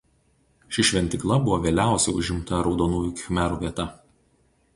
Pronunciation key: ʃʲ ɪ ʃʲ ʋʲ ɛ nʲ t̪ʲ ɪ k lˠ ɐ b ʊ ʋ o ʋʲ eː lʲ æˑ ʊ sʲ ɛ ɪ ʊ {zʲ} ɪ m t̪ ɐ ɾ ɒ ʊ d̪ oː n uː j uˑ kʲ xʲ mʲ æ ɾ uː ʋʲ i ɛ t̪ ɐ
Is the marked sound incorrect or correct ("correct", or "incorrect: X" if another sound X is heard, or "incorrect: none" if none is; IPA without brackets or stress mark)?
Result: incorrect: ʒʲ